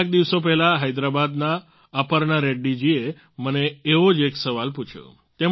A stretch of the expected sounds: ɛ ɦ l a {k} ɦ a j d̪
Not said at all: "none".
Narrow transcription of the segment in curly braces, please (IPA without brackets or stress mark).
none